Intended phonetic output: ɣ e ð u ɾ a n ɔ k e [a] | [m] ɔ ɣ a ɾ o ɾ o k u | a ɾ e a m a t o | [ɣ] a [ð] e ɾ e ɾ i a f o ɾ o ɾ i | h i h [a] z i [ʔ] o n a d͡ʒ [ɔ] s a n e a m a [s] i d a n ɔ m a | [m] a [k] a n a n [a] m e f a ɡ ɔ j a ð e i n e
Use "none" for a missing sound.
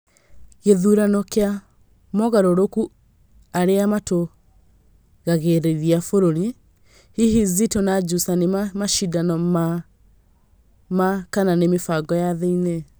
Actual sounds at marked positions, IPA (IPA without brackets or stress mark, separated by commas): a, m, ɣ, ɣ, i, t, u, ʃ, m, k, e